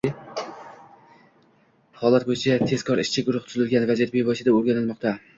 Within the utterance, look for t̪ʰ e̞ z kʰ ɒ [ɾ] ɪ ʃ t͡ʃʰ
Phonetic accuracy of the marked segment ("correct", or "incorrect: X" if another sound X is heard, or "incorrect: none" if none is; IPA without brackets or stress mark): correct